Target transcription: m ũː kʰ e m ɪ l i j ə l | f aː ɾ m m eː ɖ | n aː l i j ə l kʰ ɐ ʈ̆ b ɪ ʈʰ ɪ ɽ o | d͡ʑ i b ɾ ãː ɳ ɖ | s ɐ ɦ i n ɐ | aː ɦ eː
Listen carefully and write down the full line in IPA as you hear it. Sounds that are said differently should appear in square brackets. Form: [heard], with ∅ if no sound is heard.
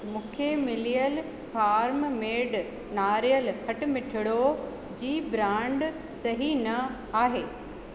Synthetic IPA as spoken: m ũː kʰ e m ɪ l i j ə l | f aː ɾ m m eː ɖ | n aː [ɾ] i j ə l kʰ ɐ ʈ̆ [m] ɪ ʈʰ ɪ ɽ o | d͡ʑ [iː] b ɾ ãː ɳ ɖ | s ɐ ɦ i n ɐ | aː ɦ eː